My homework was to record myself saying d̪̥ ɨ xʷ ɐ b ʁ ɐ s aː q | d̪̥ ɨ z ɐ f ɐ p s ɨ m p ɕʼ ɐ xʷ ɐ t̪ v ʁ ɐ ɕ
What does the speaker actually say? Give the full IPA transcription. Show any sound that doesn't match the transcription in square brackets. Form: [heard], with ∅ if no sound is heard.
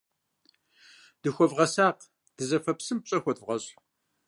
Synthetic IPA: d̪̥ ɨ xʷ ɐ [v] ʁ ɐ s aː q | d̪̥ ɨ z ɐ f ɐ p s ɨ m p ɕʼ ɐ xʷ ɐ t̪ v ʁ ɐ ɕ